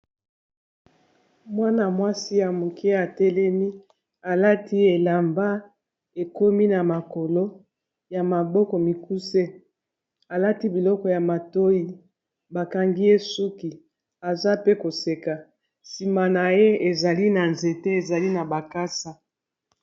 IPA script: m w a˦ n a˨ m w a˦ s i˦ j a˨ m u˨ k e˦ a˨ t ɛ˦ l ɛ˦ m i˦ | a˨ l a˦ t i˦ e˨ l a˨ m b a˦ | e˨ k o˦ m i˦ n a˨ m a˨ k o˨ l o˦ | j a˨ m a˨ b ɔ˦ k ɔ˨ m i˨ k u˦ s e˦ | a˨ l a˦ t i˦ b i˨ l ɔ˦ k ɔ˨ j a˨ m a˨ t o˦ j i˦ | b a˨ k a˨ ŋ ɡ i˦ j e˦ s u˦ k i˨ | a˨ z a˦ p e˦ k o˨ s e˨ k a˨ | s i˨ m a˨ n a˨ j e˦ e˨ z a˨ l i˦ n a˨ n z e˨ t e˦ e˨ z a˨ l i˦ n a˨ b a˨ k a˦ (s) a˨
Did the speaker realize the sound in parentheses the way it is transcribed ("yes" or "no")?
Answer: yes